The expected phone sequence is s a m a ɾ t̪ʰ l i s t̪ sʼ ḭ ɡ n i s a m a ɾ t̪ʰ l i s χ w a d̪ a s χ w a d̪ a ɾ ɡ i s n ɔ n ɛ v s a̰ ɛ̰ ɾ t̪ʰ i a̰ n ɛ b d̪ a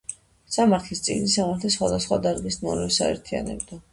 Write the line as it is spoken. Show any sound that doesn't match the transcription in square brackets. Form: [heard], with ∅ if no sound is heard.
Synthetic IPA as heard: s a m a ɾ t̪ʰ l i s t̪ sʼ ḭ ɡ n i s a m a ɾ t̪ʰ l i s χ w a d̪ a s χ w a d̪ a ɾ ɡ i s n ɔ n ɛ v s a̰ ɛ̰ ɾ t̪ʰ i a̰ n ɛ b d̪ a

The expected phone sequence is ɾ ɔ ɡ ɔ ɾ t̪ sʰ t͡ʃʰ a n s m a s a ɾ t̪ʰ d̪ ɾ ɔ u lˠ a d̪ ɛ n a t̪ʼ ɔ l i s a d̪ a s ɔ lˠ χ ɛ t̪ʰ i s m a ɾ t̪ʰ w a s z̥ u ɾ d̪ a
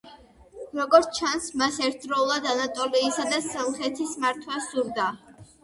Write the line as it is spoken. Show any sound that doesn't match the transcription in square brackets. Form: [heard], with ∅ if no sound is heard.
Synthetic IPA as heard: ɾ ɔ ɡ ɔ ɾ t̪ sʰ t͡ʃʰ a n s m a s [ɛ] ɾ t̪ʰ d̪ ɾ ɔ u lˠ a d̪ [a] n a t̪ʼ ɔ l [iː] s a d̪ a s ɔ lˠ χ ɛ t̪ʰ i s m a ɾ t̪ʰ w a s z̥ u ɾ d̪ a

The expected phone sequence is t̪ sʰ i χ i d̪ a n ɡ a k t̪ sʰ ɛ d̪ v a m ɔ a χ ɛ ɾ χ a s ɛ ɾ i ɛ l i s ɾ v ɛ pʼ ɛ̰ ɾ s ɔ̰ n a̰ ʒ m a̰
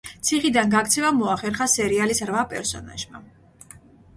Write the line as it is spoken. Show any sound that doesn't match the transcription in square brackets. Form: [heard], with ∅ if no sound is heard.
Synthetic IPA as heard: t̪ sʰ i χ i d̪ a n ɡ a k t̪ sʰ ɛ [∅] v a m ɔ a χ ɛ ɾ χ a s ɛ ɾ i [a] l i s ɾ v [a] pʼ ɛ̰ ɾ s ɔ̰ n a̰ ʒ m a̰

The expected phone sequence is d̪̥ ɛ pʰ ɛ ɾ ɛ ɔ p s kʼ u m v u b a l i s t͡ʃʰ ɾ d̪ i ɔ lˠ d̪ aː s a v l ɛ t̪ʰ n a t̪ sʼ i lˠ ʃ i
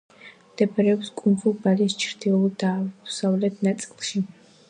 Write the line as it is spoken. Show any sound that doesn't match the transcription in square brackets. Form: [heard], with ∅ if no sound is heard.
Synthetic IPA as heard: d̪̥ ɛ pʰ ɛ ɾ ɛ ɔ p s kʼ u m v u b a l i s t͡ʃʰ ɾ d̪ i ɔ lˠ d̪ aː s a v l ɛ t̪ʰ n a t̪ sʼ i lˠ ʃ i

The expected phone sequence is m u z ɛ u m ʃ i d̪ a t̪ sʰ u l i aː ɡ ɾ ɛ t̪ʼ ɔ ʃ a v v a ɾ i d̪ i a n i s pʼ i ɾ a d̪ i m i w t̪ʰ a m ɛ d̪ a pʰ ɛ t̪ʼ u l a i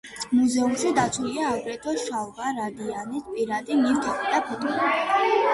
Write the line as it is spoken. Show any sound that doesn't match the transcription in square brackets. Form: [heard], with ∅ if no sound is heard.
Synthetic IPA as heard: m u z ɛ u m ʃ i d̪ a t̪ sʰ u l i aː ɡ ɾ ɛ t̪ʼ ɔ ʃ a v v a ɾ [a] d̪ i a n i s pʼ i ɾ a d̪ i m i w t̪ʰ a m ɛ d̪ a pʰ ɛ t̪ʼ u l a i

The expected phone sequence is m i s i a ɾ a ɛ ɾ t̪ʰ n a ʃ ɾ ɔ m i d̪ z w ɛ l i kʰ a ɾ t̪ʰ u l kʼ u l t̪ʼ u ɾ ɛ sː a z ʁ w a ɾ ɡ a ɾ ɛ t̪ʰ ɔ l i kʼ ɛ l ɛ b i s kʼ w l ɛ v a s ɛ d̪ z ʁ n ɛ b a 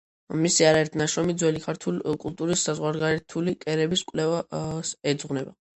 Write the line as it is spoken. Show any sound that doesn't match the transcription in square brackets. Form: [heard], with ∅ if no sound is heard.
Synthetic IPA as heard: m i s i a ɾ a ɛ ɾ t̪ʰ n a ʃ ɾ ɔ m i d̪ z w ɛ l i kʰ a ɾ t̪ʰ u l kʼ u l t̪ʼ u ɾ [i] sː a z ʁ w a ɾ ɡ a ɾ ɛ t̪ʰ [u] l i kʼ ɛ [ɾ] ɛ b i s kʼ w l ɛ v a s ɛ d̪ z ʁ n ɛ b a

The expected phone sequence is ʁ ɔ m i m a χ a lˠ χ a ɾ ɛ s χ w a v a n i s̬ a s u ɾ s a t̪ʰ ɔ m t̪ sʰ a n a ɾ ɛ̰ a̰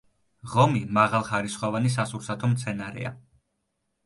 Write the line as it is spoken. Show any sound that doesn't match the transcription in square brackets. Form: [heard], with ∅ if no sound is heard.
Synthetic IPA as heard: ʁ ɔ m i m a [ʁ] a lˠ χ a ɾ [i] s χ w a v a n i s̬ a s u ɾ s a t̪ʰ ɔ m t̪ sʰ [ɛ] n a ɾ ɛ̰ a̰

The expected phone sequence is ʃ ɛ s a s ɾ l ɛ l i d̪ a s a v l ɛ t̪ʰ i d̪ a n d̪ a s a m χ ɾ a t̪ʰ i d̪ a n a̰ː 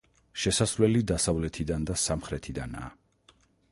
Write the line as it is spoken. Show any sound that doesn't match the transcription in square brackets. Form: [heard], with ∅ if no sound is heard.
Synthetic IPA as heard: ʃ ɛ s a s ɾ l ɛ l i d̪ a s a v l ɛ t̪ʰ i d̪ a n d̪ a s a m χ ɾ [ɛ] t̪ʰ i d̪ a n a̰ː

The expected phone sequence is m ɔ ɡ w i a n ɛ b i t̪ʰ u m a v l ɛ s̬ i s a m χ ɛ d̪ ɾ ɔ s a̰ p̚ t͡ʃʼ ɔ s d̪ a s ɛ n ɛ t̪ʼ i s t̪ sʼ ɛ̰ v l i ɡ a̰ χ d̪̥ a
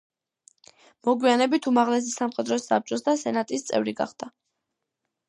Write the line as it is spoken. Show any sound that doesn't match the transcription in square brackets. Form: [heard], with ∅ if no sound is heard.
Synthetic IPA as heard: m ɔ ɡ w i a n ɛ b i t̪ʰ u m a [ʁ] l ɛ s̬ i s a m χ ɛ d̪ ɾ ɔ s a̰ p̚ t͡ʃʼ ɔ s d̪ a s ɛ n [a] t̪ʼ i s t̪ sʼ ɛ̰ v [ɾ] i ɡ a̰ χ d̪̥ a

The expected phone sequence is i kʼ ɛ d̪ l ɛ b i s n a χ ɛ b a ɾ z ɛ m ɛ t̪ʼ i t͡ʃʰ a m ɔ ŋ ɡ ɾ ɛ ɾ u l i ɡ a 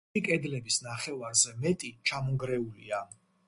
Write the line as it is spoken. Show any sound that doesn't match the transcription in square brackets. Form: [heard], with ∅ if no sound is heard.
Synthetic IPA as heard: i kʼ ɛ d̪ l ɛ b i s n a χ ɛ [v] a ɾ z ɛ m ɛ t̪ʼ i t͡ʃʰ a m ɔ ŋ ɡ ɾ ɛ [∅] u l i [∅] a

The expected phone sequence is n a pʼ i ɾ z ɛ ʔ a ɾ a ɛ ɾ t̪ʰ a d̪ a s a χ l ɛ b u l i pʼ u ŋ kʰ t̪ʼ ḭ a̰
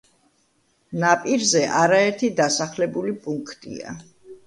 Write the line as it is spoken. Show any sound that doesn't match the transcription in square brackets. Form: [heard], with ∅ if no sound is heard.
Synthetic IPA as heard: n a pʼ i ɾ z ɛ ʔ a ɾ a ɛ ɾ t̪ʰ [i] d̪ a s a χ l ɛ b u l i pʼ u ŋ kʰ t̪ʼ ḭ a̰

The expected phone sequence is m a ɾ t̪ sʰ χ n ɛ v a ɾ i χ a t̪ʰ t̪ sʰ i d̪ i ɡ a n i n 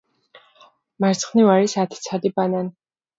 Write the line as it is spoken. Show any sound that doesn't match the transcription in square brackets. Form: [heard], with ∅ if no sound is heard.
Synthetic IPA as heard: m a ɾ t̪ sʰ χ n [i] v a ɾ i [s] a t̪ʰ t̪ sʰ [a] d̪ i [b] a n [a] n

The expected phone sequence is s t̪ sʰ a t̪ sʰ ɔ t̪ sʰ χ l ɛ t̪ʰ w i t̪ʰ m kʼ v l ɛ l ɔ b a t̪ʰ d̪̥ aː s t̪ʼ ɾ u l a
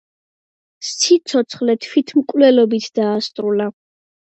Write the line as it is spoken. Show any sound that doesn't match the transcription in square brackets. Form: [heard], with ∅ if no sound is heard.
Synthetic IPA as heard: s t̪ sʰ [i] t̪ sʰ ɔ t̪ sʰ χ l ɛ t̪ʰ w i t̪ʰ m kʼ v l ɛ l ɔ b [i] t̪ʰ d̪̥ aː s t̪ʼ ɾ u l a

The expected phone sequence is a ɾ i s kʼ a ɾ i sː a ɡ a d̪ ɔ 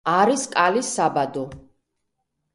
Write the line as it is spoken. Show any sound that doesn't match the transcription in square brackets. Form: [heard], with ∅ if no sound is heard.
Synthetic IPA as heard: a ɾ i s kʼ a [l] i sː a [b] a d̪ ɔ

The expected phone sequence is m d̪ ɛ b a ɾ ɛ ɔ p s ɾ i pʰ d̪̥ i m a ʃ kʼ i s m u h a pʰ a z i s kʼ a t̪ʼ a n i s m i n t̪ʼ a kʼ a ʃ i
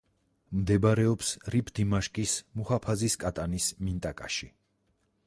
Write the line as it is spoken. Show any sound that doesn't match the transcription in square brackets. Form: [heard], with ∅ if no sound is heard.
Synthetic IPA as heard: m d̪ ɛ b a ɾ ɛ ɔ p s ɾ i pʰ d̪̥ i m a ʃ kʼ i s m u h a pʰ a z i s kʼ a t̪ʼ a n i s m i n t̪ʼ a kʼ a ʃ i

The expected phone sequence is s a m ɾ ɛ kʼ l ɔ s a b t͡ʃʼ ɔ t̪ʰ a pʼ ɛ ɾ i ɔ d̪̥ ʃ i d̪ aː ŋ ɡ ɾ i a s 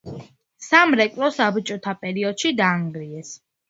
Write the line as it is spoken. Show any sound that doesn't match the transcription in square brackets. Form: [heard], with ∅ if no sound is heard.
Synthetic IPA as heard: s a m ɾ ɛ kʼ l ɔ s a b t͡ʃʼ ɔ t̪ʰ a pʼ ɛ ɾ i ɔ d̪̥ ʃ i d̪ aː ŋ ɡ ɾ i [ɛ] s

